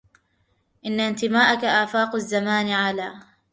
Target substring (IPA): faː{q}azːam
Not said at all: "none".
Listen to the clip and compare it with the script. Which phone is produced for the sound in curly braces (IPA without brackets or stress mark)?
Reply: q